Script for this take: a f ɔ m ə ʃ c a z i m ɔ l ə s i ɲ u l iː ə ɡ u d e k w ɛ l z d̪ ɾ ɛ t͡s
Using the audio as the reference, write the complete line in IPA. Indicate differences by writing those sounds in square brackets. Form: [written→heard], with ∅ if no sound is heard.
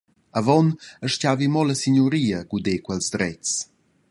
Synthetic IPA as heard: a [f→v] ɔ [m→n] ə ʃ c a [z→v] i m ɔ l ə s i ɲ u [l→ɾ] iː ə ɡ u d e k w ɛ l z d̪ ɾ ɛ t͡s